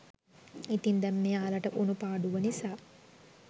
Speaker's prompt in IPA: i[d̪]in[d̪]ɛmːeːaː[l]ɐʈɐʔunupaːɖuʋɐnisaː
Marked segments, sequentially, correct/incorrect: incorrect, correct, correct

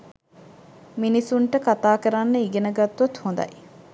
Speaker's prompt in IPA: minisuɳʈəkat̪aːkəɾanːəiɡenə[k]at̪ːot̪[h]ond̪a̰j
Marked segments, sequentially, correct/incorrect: incorrect, correct

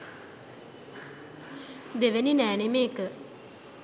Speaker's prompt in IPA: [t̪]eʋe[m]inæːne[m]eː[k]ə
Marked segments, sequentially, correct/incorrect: incorrect, incorrect, correct, correct

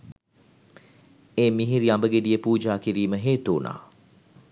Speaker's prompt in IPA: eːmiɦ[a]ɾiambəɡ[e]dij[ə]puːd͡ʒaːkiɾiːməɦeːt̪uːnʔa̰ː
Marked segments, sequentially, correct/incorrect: incorrect, correct, correct

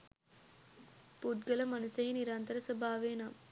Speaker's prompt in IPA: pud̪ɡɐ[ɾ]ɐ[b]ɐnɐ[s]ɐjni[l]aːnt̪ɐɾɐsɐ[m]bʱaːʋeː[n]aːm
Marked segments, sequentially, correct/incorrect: incorrect, incorrect, correct, incorrect, incorrect, correct

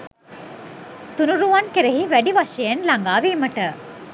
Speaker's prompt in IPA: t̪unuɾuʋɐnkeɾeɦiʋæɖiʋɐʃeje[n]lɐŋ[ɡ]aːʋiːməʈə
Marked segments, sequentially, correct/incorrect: correct, correct

